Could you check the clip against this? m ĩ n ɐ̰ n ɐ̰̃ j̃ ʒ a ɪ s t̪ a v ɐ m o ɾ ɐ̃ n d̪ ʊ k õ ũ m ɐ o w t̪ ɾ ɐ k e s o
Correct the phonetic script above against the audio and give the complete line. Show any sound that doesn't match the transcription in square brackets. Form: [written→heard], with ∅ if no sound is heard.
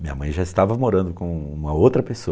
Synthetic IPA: m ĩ [n→ɲ] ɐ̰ [n→m] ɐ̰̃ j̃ ʒ a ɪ s t̪ a v ɐ m o ɾ ɐ̃ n d̪ ʊ k õ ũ m ɐ o w t̪ ɾ ɐ [k→p] e s o